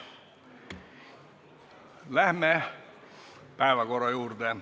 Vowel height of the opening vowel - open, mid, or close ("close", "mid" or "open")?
open